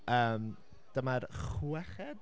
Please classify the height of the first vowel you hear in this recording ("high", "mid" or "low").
mid